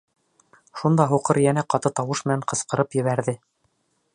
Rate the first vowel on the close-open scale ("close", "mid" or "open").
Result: close